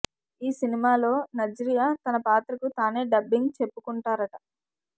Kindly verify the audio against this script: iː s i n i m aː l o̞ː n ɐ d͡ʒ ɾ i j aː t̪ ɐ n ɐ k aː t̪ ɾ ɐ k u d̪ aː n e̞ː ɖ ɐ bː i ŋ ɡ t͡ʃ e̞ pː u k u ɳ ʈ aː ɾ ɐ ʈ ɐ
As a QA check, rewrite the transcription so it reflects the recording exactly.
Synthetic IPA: iː s i n i m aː l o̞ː n ɐ d͡ʒ ɾ i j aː t̪ ɐ n ɐ p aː t̪ ɾ ɐ k u t̪ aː n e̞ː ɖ ɐ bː i ŋ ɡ t͡ʃ e̞ pː u k u ɳ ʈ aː ɾ ɐ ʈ ɐ